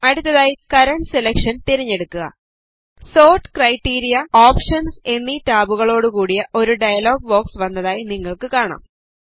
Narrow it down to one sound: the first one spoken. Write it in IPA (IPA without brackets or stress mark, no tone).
ɐ